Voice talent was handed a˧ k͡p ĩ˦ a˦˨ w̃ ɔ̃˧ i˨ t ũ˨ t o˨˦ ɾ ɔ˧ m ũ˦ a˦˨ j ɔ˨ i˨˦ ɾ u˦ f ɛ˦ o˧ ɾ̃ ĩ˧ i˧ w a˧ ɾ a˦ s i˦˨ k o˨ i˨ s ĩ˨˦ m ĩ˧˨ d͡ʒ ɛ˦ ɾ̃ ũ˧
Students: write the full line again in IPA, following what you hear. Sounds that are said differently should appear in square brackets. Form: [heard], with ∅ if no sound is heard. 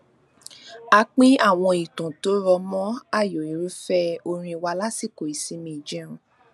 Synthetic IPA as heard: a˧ k͡p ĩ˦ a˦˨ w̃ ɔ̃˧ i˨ t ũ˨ t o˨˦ ɾ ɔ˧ m [ɔ̃˦] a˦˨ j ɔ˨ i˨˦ ɾ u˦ f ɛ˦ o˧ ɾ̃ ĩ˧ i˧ w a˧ [l] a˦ s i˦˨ k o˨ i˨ s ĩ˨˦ m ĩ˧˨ d͡ʒ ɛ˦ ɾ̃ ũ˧